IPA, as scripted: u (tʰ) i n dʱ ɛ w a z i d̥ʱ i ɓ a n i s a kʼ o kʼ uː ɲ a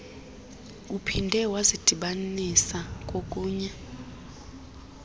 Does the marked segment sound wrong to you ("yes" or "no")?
yes